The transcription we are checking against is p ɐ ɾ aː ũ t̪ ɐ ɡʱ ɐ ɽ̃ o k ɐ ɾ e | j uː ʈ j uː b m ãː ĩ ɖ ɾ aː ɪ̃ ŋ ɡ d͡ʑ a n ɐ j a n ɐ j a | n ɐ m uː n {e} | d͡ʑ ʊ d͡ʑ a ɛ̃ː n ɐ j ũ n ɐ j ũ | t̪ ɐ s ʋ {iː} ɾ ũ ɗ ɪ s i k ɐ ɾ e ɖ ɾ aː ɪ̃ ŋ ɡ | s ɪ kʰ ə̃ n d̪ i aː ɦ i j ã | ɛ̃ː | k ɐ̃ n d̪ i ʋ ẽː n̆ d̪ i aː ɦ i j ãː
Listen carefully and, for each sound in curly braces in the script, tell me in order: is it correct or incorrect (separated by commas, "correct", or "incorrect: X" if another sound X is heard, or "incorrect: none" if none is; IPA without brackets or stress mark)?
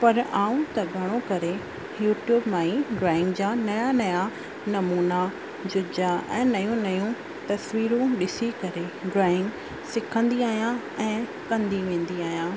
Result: incorrect: a, correct